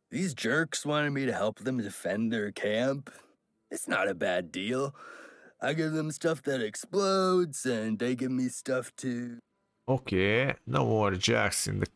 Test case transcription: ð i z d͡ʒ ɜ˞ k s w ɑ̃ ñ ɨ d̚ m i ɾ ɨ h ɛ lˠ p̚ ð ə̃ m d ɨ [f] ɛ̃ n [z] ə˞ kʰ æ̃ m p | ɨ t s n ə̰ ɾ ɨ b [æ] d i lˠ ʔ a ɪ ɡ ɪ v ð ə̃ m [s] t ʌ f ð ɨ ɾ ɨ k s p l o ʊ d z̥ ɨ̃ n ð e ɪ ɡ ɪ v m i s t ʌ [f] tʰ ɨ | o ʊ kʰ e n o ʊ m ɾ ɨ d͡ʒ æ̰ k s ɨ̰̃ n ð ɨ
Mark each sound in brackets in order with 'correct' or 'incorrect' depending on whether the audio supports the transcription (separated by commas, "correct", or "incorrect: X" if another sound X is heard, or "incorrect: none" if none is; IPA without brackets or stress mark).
correct, incorrect: ð, correct, correct, correct